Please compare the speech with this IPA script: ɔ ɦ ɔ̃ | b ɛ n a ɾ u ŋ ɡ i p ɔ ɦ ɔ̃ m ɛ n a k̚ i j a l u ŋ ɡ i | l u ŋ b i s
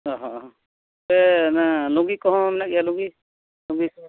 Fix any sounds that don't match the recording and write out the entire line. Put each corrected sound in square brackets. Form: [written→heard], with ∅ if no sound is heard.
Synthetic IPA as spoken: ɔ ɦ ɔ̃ | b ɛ n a [ɾ→l] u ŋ ɡ i [p→k] ɔ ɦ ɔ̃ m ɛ n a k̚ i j a l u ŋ ɡ i | l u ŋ [b→ɡ] i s